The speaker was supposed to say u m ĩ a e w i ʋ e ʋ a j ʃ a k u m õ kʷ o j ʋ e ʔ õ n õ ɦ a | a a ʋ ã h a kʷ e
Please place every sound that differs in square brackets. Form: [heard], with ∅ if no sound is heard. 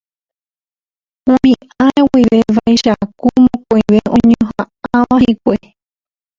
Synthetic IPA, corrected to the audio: u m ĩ a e w i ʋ e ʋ a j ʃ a k u m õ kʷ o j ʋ e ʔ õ [ɲ] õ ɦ a | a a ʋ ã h [i] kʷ e